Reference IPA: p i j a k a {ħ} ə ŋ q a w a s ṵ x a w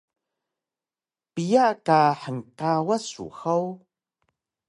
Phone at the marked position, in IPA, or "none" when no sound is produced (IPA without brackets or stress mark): ħ